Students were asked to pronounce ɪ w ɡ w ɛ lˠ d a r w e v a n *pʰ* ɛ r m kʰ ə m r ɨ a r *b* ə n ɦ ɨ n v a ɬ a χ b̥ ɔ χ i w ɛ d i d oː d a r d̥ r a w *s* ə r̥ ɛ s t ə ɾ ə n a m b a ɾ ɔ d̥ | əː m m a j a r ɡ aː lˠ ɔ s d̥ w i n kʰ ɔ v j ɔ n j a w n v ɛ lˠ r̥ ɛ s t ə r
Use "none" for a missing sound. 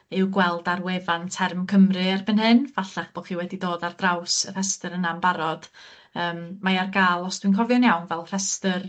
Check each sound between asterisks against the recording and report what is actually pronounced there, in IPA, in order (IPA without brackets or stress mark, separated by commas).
tʰ, b, s